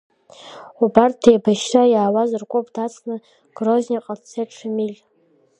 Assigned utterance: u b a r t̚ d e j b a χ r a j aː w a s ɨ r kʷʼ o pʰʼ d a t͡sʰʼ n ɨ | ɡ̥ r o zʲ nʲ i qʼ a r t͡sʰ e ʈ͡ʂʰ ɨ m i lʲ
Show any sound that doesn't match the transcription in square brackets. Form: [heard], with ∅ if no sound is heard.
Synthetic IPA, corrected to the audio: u b a r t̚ d e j b a [ʃ] r a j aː w a [z] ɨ r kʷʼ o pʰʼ d a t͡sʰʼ n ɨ | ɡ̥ r o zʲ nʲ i qʼ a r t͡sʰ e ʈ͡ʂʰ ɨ m i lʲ